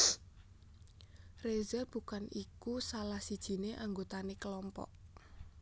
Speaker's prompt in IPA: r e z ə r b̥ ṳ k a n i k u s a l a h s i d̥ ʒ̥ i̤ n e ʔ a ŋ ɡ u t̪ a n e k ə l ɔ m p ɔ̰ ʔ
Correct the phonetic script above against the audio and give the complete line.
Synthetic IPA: r e z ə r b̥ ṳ k a n i k u s a l a h s i d̥ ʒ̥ i̤ n e ʔ a ŋ ɡ o t̪ a n e k ə l ɔ m p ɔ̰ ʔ